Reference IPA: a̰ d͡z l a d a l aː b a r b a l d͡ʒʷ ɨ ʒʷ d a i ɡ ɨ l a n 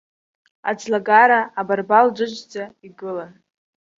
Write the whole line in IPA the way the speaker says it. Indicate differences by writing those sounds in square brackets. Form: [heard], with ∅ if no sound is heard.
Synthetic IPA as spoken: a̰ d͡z l a [ɡ] a [ɾ] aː b a r b a l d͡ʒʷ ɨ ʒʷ [d͡z] a i ɡ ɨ l a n